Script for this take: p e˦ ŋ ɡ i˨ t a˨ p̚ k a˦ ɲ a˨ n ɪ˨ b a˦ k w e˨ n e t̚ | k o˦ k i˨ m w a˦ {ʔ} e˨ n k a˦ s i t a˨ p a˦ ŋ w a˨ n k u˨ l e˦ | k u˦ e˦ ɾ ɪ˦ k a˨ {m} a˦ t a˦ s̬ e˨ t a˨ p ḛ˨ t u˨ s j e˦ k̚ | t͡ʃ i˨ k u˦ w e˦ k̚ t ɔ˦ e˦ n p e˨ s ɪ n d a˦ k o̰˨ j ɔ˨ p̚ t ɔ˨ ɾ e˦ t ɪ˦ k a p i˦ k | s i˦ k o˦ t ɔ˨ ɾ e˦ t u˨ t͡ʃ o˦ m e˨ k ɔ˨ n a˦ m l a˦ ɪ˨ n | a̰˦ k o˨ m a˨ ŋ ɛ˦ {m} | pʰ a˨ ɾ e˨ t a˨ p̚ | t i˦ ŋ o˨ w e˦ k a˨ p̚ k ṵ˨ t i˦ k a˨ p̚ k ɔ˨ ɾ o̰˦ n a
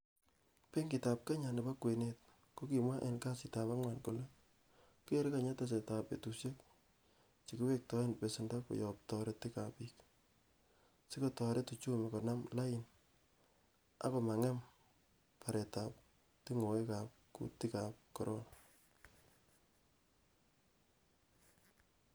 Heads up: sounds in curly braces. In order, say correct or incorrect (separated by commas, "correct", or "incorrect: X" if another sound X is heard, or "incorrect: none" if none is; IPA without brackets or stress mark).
correct, incorrect: ɲ, correct